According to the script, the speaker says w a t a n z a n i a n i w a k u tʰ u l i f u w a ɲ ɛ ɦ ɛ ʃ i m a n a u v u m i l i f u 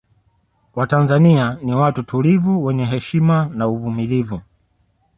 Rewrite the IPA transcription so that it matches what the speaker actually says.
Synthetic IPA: w a t a n z a n i a n i w a t u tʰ u l i v u w ɛ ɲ ɛ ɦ ɛ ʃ i m a n a u v u m i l i v u